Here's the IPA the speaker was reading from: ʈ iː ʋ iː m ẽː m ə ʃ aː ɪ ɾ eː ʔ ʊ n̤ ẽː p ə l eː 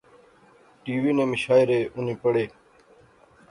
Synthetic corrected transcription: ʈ iː ʋ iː n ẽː m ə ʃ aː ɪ ɾ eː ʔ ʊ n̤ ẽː p ə ɽ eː